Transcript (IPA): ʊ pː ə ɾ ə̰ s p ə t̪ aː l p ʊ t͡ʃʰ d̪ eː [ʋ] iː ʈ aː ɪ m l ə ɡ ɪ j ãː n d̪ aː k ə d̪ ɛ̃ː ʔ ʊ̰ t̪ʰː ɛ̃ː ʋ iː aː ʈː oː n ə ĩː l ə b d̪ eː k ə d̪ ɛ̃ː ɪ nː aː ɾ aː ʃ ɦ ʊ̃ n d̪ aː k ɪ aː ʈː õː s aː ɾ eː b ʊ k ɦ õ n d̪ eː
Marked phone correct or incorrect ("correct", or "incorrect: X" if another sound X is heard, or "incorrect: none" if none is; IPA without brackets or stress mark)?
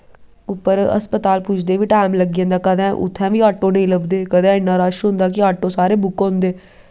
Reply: correct